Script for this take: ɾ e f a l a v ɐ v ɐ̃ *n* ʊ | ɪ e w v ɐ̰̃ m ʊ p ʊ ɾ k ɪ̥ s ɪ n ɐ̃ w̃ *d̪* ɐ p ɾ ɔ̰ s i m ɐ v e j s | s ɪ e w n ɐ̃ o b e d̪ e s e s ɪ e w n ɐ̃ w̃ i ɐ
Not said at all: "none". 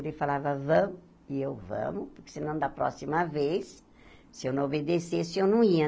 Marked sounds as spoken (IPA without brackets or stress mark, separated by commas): m, d̪